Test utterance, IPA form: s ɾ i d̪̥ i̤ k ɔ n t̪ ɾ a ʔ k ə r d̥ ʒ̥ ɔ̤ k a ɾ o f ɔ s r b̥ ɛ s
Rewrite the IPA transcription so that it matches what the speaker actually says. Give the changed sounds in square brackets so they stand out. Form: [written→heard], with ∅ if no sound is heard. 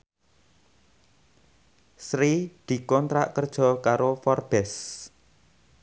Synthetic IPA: s ɾ i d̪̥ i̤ k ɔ n t̪ ɾ a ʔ k ə r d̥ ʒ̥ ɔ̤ k a ɾ o f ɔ [s→∅] r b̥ ɛ s